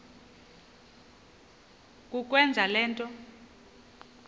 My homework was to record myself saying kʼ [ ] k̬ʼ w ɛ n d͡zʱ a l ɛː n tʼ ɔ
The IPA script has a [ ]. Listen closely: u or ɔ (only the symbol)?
u